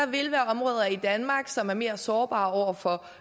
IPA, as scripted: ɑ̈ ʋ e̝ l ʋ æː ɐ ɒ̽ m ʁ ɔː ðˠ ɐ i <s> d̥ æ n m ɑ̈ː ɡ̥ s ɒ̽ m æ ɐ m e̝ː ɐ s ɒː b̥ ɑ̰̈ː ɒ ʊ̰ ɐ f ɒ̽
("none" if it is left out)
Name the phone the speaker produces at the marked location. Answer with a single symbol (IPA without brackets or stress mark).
none